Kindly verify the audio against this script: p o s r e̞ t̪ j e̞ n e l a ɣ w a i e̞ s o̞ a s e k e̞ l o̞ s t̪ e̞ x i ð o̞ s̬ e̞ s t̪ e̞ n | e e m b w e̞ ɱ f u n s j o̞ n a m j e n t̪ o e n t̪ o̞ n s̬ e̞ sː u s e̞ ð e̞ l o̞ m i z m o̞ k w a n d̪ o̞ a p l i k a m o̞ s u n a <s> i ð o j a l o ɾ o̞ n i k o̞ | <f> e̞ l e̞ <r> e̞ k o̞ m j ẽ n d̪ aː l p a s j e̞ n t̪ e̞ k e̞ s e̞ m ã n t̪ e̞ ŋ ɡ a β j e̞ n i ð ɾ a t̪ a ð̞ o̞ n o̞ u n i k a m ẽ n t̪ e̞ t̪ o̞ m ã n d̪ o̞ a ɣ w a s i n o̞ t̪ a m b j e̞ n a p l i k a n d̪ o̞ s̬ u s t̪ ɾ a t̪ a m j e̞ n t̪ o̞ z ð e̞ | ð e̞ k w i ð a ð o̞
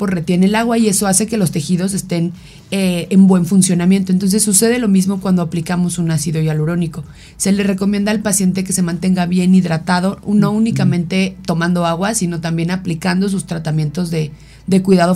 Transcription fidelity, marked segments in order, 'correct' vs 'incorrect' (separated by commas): correct, incorrect, correct